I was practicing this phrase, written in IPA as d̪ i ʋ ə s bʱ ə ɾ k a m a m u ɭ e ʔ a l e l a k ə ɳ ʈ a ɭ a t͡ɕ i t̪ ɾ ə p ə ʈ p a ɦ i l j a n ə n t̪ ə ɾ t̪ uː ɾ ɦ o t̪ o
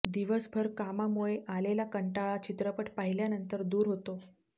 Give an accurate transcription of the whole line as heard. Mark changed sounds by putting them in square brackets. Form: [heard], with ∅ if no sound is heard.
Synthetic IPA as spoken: d̪ i ʋ ə s bʱ ə ɾ k a m a m u ɭ e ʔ a l e l a k ə ɳ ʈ a ɭ a t͡ɕ i t̪ ɾ ə p ə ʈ p a ɦ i l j a n ə n t̪ ə ɾ [d̪] uː ɾ ɦ o t̪ o